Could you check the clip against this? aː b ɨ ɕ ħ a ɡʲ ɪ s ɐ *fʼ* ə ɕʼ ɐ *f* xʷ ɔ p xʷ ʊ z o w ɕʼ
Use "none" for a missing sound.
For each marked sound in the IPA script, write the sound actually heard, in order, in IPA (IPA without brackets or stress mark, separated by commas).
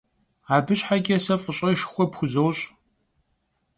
fʼ, ʃ